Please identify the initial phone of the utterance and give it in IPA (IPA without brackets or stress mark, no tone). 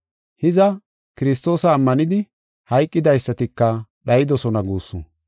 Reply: h